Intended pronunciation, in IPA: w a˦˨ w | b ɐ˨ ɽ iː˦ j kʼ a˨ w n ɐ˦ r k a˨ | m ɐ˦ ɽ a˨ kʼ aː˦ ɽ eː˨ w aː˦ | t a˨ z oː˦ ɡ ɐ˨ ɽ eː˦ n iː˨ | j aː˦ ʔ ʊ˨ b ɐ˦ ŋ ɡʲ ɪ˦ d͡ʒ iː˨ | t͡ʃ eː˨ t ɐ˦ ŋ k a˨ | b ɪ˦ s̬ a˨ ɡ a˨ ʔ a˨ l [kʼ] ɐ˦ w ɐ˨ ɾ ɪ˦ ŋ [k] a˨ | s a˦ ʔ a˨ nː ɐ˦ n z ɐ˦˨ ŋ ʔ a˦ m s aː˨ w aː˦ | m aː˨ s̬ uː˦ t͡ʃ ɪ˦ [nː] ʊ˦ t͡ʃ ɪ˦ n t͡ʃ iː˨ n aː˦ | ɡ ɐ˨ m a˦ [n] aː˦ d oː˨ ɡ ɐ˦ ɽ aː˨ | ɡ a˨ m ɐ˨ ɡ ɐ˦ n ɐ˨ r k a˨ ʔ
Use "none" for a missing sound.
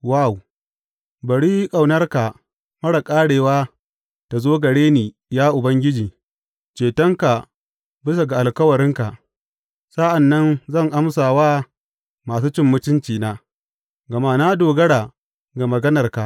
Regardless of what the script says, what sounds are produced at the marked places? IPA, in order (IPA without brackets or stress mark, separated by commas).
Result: k, k, mː, n